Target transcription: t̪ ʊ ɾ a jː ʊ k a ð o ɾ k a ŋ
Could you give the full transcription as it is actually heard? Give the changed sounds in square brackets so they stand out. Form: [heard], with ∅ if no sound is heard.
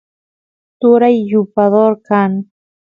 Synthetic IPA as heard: t̪ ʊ ɾ a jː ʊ [p] a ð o ɾ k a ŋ